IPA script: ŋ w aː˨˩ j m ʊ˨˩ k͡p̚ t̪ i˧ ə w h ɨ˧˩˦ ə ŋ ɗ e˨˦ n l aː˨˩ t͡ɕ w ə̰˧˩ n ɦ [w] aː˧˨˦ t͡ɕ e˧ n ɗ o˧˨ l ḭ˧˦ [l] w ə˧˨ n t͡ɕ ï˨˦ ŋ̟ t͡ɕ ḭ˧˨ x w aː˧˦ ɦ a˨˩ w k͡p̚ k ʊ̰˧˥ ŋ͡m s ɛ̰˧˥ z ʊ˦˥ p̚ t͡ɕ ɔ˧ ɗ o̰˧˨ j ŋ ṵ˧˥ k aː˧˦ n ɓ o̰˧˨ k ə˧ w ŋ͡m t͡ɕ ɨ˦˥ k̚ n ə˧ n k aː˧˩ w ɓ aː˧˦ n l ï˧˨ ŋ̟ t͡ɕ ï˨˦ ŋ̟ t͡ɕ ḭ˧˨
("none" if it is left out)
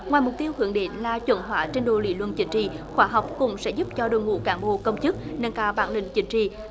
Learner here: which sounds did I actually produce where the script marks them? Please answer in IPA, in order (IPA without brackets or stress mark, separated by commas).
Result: w, l